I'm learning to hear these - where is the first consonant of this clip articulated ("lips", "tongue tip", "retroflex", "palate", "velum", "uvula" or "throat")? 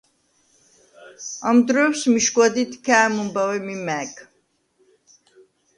lips